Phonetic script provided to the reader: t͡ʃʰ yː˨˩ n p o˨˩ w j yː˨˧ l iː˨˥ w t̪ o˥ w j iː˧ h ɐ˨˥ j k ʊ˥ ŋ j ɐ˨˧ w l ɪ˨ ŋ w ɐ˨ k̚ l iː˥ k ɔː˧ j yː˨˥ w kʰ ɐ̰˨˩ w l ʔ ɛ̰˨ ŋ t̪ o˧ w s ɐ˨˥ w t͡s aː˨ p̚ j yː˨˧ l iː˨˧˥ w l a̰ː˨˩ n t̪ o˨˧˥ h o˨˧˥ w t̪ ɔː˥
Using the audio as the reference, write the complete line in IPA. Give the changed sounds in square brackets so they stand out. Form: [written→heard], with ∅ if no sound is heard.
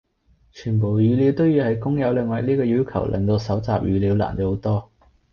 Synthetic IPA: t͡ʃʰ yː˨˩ n p o˨˩ w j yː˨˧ l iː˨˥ w t̪ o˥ w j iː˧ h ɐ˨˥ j k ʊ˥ ŋ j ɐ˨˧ w l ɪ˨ ŋ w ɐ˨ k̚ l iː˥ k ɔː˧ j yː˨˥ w kʰ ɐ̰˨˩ w l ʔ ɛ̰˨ ŋ t̪ o˧ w s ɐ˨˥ w t͡s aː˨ p̚ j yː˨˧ l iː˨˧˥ w l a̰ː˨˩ n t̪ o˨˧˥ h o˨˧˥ w t̪ ɔː˥